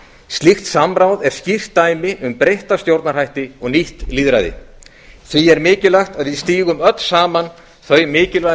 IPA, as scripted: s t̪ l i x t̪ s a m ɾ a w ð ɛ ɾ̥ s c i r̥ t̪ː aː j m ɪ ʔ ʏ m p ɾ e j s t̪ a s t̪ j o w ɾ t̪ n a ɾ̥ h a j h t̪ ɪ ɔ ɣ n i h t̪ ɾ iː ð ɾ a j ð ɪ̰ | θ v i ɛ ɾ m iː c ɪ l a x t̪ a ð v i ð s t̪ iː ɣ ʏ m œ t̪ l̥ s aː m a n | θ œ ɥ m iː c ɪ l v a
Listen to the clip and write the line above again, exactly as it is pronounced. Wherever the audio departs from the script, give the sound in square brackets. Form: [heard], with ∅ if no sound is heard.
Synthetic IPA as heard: s t̪ l i x t̪ s a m ɾ a w ð ɛ ɾ̥ s c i r̥ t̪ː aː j m ɪ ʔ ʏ m p ɾ e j [h] t̪ a s t̪ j o w ɾ t̪ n a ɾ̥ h a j h t̪ ɪ ɔ ɣ n i h t̪ [l] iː ð ɾ a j ð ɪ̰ | θ v i ɛ ɾ m [ɪː] c ɪ l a x t̪ a ð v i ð s t̪ iː ɣ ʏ m œ t̪ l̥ s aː m a n | θ œ ɥ m [ɪː] c ɪ l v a